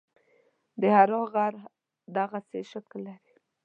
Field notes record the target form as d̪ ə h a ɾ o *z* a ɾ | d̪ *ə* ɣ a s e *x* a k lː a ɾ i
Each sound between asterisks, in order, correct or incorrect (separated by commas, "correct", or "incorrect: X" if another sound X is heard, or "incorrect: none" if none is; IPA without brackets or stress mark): incorrect: ɣ, incorrect: a, incorrect: ʃ